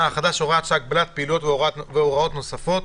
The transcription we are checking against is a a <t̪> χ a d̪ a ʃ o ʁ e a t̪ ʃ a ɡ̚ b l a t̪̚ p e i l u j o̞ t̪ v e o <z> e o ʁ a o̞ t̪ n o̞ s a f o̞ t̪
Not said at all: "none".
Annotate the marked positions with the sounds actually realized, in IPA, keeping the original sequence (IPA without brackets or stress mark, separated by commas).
none, v